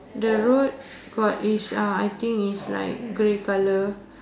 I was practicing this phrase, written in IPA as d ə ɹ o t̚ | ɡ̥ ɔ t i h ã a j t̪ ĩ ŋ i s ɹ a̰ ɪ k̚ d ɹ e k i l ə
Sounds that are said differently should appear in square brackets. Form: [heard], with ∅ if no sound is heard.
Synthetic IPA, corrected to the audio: d ə ɹ o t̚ | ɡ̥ ɔ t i [s] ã a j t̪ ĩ ŋ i s [l] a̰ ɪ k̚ [ɡ] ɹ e k [a] l ə